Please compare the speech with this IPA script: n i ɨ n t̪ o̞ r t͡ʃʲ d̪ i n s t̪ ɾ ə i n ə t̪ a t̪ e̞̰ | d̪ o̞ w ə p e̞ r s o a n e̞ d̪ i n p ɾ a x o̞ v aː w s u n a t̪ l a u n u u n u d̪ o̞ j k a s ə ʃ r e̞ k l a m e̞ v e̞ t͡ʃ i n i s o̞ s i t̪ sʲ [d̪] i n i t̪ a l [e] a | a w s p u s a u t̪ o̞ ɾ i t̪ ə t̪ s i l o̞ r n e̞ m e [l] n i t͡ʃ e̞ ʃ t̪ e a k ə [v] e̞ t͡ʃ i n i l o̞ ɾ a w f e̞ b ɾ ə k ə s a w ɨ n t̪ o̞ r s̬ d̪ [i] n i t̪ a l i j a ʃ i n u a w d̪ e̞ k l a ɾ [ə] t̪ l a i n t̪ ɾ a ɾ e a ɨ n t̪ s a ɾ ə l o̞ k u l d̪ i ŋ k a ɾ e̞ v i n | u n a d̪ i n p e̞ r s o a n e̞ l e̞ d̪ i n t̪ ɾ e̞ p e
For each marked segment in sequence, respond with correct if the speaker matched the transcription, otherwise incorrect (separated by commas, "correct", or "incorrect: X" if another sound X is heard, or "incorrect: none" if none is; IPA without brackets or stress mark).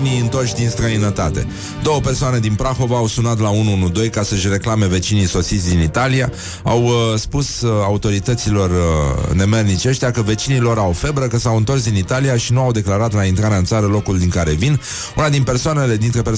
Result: correct, incorrect: i, incorrect: r, correct, correct, incorrect: a